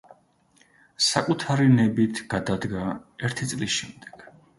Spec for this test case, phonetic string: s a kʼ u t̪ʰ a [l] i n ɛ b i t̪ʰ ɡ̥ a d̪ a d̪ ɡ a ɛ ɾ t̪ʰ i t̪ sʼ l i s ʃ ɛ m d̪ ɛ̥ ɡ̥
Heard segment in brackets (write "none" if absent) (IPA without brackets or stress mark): ɾ